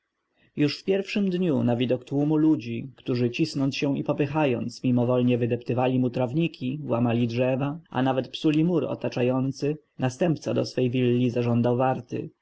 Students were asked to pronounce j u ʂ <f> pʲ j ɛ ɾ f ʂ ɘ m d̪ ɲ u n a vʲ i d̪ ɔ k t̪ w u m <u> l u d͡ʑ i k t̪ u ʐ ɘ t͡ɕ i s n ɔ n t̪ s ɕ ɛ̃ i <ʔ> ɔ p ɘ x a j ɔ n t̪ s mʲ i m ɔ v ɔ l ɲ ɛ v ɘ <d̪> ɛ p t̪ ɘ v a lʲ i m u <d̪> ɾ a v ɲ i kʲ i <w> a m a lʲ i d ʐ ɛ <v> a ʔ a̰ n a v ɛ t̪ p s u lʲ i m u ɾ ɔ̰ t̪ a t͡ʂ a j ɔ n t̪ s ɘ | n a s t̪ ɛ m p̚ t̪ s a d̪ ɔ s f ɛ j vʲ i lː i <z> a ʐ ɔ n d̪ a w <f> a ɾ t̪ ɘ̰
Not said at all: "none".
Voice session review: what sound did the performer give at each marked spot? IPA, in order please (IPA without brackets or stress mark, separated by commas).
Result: f, u, p, d̪, t̪, w, v, z, v